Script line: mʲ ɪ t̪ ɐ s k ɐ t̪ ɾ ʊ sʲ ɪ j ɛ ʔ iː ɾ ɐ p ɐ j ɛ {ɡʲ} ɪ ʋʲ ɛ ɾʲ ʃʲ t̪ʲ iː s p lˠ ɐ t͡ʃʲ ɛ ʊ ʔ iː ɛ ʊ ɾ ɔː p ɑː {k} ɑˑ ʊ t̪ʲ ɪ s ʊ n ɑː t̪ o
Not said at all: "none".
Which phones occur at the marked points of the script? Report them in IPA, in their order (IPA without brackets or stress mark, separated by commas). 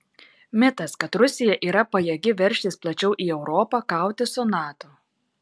ɡʲ, k